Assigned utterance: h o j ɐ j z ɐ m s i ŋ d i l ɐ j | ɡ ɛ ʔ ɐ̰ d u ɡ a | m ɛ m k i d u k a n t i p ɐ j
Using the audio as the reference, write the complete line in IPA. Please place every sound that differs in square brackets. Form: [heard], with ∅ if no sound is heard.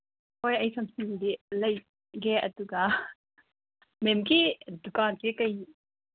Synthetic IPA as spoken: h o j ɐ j [s] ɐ m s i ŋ d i l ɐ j | ɡ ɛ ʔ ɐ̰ d u ɡ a | m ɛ m k i d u k a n [k] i [k] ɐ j

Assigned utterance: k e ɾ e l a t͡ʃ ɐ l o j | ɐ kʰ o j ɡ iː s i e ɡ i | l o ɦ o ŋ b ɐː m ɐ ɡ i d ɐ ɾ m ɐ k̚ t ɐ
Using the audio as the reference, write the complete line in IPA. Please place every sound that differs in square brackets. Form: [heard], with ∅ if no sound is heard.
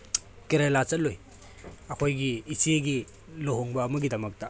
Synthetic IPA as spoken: k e ɾ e l a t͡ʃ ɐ l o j | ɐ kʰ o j ɡ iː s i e ɡ i | l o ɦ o ŋ b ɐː m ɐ ɡ i d ɐ [∅] m ɐ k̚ t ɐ

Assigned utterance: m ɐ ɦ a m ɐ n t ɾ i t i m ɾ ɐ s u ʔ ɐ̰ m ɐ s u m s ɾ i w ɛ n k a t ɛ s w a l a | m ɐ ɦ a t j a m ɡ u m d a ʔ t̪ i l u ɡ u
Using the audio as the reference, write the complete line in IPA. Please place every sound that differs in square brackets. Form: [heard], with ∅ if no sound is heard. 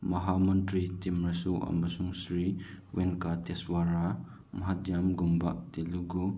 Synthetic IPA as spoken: m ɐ ɦ a m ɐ n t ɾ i t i m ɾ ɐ s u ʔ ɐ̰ m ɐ s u [ŋ] s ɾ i w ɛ n k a t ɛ s w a [ɾ] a | m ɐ ɦ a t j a m ɡ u m [b] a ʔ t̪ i l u ɡ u

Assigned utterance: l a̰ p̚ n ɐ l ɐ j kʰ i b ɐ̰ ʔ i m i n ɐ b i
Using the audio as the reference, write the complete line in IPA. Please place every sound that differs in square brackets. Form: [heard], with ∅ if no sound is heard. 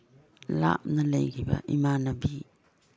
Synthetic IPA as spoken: l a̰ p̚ n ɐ l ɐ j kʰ i b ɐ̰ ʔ i m [a] n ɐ b i

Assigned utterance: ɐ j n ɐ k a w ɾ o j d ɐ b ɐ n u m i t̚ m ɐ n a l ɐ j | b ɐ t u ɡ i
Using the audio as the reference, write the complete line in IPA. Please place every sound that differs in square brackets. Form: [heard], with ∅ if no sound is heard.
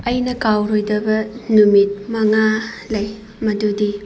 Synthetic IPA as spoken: ɐ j n ɐ k a w ɾ o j d ɐ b ɐ n u m i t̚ m ɐ [ŋ] a l ɐ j | [m] ɐ [d] u [d] i

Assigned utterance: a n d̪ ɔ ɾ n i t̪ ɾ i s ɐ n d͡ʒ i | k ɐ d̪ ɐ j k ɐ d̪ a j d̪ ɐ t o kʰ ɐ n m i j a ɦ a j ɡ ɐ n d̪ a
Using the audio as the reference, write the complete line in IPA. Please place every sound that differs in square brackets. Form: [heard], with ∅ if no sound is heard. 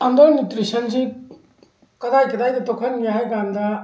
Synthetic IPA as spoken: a n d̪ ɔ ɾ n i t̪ ɾ i s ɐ n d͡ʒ i | k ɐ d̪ [a] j k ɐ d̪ a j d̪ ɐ t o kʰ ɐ n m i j a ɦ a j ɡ [a] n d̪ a

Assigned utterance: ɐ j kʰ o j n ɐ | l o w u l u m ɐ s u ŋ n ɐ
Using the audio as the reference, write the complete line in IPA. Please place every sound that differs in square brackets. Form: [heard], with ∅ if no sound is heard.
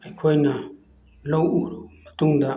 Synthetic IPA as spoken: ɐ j kʰ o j n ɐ | l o w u [ɾ] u m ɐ [t] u ŋ [d] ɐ

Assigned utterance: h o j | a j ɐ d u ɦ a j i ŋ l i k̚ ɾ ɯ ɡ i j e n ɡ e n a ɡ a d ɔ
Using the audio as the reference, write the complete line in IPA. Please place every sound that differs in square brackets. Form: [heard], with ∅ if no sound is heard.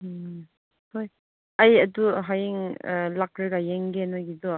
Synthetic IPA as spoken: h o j | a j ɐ d u ɦ a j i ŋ l [a] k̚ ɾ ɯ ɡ [a] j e [ŋ] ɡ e n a ɡ [i] d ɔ

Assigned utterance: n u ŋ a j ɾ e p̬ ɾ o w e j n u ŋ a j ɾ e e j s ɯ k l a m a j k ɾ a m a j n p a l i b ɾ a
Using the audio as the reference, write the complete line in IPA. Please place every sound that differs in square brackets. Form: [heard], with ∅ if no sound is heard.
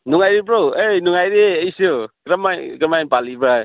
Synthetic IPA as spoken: n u ŋ a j ɾ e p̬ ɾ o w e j n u ŋ a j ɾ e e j s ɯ k [ɾ] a m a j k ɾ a m a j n p a l i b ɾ a

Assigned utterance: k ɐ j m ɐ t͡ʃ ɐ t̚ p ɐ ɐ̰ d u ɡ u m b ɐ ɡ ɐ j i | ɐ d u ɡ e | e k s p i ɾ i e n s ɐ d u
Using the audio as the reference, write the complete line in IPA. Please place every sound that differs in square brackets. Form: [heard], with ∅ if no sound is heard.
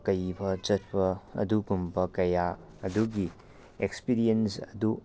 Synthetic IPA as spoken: k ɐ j [b] ɐ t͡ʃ ɐ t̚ p ɐ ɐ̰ d u ɡ u m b ɐ [k] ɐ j [a] | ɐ d u ɡ [i] | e k s p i ɾ i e n s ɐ d u

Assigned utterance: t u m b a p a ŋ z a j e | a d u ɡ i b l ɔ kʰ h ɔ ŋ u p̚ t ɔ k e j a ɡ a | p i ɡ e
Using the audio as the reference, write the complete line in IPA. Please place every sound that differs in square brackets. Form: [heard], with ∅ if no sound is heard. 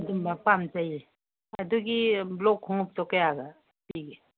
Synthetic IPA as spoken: [d] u m b a p a [m] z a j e | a d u ɡ i b l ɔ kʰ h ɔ ŋ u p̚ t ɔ k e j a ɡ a | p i ɡ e

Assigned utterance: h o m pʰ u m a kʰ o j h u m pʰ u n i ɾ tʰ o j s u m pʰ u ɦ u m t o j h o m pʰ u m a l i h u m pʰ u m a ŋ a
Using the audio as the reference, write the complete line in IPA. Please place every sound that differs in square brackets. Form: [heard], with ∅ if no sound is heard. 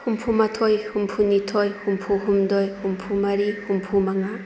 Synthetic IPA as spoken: h [u] m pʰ u m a [tʰ] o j h u m pʰ u n i [∅] tʰ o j [h] u m pʰ u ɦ u m [d] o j h [u] m pʰ u m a [ɾ] i h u m pʰ u m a ŋ a

